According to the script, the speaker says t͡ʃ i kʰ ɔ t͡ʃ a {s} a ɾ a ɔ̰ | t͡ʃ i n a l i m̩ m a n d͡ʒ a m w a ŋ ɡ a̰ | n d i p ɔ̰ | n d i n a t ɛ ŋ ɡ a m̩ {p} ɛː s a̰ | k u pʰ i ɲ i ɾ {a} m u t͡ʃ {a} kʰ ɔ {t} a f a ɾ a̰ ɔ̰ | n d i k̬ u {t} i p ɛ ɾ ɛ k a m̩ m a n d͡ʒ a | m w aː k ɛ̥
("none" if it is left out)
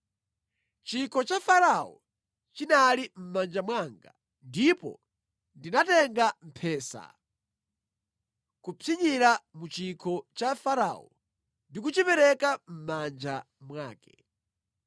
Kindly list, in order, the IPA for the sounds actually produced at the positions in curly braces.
f, pʰ, a, i, t͡ʃ, t͡ʃ

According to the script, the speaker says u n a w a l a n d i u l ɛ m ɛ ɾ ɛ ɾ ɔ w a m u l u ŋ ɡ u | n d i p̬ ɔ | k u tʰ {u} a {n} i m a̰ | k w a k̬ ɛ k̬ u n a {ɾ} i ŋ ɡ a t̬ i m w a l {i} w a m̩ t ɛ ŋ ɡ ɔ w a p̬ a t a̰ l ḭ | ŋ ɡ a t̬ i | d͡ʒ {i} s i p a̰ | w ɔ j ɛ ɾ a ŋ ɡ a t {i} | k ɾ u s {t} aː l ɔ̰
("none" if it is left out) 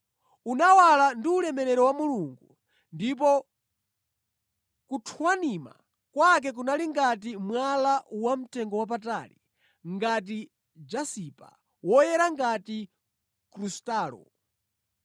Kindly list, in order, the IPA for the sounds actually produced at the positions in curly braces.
w, n, l, a, a, i, t

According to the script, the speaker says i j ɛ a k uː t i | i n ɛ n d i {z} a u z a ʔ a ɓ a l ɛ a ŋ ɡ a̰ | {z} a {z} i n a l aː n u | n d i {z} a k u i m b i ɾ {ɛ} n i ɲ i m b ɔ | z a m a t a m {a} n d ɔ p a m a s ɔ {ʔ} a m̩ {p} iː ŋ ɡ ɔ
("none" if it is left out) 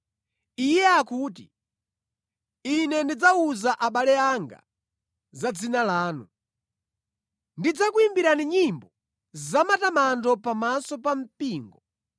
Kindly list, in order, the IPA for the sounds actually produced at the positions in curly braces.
d͡z, z, d͡z, d͡z, a, a, p, p

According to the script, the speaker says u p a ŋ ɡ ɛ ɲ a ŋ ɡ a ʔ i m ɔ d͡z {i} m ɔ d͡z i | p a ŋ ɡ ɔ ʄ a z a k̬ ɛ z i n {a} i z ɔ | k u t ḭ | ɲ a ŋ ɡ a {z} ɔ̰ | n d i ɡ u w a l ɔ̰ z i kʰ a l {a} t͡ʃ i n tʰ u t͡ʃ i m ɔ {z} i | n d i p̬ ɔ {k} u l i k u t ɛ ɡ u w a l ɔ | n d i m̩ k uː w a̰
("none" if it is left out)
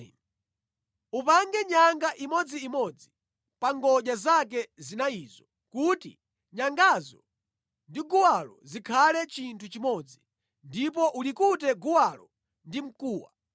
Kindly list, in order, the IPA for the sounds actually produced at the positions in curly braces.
iː, a, z, ɛ, d͡z, ʔ

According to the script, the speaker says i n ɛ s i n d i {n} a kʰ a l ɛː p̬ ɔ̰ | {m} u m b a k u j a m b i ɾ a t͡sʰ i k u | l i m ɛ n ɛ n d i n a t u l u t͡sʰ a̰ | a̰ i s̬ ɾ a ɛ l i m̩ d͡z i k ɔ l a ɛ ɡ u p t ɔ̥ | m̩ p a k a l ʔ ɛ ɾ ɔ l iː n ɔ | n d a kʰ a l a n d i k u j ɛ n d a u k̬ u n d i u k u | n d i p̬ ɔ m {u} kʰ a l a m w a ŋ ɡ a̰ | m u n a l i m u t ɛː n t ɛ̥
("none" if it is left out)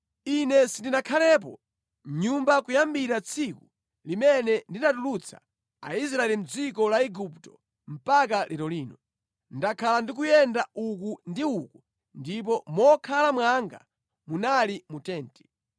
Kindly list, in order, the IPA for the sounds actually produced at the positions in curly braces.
n, ɲ, ɔ

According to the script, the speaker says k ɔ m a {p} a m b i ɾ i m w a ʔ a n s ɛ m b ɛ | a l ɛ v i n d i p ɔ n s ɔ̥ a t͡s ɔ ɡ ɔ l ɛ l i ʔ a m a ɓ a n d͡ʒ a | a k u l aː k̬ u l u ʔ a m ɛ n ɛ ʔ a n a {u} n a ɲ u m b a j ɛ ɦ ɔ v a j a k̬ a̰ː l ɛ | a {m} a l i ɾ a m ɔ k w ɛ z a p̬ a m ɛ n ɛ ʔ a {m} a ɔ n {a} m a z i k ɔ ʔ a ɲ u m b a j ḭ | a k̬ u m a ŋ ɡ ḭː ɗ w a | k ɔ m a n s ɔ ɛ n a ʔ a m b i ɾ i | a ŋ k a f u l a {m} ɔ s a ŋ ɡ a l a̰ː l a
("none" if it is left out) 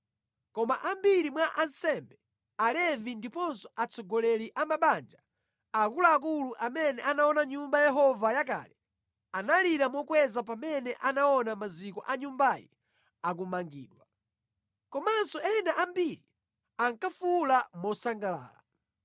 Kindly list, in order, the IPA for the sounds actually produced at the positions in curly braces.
ʔ, ɔ, n, n, a, m

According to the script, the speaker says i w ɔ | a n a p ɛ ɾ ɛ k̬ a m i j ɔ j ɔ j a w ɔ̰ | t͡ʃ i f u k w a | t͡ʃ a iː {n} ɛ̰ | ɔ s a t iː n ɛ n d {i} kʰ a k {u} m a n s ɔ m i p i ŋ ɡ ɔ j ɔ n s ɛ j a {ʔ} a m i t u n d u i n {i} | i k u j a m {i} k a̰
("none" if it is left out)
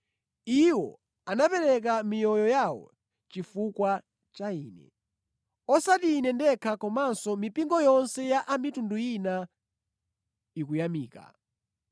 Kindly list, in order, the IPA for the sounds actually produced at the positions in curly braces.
n, ɛ, ɔ, ʔ, a, iː

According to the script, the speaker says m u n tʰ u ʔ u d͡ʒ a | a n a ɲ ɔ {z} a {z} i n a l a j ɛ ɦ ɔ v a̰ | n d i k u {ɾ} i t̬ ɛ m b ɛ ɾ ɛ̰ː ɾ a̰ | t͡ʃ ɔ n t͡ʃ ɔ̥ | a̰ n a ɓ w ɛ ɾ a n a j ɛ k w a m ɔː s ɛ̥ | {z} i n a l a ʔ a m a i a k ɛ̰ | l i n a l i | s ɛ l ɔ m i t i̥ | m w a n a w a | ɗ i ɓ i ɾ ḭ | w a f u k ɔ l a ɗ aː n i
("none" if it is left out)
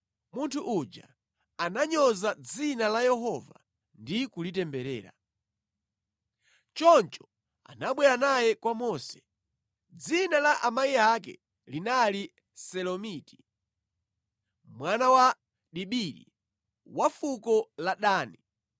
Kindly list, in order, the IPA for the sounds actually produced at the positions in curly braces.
z, d͡z, l, d͡z

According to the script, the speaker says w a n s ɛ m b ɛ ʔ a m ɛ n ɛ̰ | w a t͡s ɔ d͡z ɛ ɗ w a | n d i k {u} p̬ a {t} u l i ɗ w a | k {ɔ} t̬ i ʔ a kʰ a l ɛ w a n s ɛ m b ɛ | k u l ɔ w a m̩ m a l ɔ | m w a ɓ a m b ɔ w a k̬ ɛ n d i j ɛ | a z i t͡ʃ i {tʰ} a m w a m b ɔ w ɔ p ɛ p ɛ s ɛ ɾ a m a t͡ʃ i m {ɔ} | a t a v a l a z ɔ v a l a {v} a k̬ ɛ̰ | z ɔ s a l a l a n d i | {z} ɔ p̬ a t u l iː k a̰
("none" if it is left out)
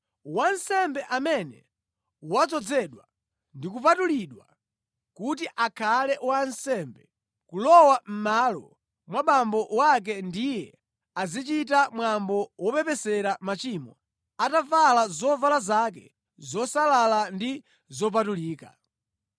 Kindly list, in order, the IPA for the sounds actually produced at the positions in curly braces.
u, t, u, t, ɔ, z, z

